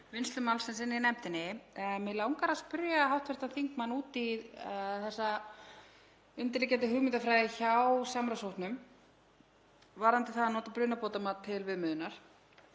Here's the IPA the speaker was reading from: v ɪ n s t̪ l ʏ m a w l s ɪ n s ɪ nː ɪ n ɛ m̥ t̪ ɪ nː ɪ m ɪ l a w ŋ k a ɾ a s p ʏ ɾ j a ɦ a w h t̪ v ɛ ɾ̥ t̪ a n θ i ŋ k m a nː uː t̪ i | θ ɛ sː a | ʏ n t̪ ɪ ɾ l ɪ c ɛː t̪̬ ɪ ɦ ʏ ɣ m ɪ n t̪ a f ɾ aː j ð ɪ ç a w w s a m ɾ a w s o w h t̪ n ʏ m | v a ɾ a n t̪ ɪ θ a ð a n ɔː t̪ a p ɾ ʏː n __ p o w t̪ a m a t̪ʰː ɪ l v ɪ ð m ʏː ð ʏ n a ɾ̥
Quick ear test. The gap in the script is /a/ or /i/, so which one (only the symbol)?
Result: a